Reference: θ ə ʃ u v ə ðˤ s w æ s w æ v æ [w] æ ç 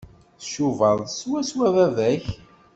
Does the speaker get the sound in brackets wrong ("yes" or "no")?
yes